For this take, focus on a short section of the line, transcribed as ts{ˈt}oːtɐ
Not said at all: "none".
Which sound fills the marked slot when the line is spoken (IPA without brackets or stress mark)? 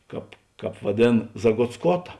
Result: k